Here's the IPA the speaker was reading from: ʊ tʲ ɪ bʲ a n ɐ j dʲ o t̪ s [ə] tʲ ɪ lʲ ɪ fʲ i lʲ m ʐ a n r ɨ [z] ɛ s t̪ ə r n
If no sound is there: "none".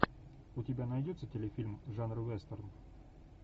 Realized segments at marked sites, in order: ə, v

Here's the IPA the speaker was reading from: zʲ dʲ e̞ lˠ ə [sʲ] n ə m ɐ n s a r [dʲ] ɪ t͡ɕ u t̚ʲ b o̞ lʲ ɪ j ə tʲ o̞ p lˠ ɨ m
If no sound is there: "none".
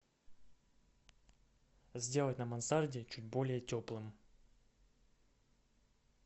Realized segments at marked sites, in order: tʲ, dʲ

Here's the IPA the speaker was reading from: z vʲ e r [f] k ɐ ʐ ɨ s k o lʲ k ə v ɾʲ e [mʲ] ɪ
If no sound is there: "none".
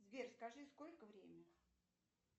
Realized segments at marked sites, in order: s, mʲ

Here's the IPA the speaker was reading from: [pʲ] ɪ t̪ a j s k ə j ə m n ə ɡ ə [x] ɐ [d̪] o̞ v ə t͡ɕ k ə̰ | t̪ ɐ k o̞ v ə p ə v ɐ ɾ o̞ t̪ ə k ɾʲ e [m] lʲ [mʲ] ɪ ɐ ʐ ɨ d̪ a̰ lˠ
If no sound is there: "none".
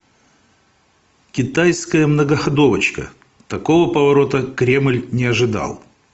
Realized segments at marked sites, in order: kʲ, x, d̪, m, nʲ

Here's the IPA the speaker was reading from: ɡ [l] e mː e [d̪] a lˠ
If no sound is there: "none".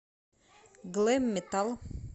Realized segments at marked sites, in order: l, t̪

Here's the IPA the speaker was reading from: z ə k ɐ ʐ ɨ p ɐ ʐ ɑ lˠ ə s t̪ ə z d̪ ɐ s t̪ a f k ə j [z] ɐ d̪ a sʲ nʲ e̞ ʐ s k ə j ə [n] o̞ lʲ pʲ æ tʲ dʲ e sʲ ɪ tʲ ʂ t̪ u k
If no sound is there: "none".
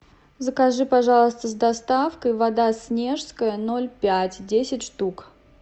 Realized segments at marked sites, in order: v, n

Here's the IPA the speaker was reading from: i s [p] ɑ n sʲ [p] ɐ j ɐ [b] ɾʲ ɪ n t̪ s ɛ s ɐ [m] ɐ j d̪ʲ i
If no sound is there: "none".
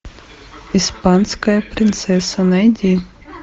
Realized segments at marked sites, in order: p, k, p, n

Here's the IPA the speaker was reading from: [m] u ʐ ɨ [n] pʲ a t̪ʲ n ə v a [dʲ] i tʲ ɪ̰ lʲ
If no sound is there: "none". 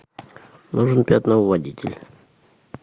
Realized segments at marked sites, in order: n, n, dʲ

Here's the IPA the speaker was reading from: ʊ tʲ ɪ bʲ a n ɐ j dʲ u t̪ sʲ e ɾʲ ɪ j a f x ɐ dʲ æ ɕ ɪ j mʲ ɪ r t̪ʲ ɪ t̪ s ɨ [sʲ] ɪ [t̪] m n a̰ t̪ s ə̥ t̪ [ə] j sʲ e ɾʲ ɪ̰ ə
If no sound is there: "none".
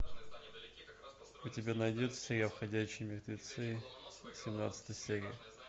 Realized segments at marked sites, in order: sʲ, none, ə

